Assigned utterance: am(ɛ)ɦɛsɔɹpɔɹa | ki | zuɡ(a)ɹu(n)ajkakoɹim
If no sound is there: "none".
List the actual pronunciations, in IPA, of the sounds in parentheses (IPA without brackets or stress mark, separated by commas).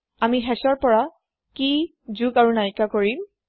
i, a, n